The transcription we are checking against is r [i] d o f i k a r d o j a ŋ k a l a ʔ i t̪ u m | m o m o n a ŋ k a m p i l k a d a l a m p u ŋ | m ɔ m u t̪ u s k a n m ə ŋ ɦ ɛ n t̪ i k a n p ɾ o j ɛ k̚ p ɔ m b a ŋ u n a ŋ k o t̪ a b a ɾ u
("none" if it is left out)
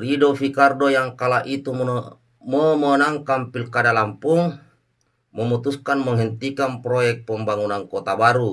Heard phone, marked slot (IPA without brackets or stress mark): i